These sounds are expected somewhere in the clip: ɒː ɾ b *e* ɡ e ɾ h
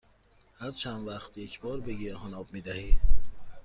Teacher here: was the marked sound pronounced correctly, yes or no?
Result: yes